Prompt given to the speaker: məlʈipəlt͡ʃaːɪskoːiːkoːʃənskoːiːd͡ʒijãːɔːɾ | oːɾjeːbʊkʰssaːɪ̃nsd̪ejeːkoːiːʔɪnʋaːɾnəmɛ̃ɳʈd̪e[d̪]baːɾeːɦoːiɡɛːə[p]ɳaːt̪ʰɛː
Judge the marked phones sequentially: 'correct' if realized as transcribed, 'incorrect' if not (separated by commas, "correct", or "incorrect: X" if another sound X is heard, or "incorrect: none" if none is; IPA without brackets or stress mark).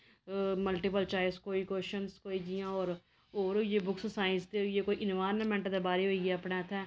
incorrect: none, correct